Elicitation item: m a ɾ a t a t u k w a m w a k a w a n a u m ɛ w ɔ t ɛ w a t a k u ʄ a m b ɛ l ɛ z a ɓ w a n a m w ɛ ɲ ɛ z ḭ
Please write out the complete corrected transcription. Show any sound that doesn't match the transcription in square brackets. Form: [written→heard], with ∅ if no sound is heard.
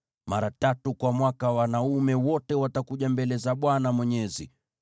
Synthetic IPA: m a ɾ a t a t u k w a m w a k a w a n a u m ɛ w ɔ t ɛ w a t a k u ʄ a m b ɛ l ɛ z a ɓ w a n a m w ɛ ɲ ɛ z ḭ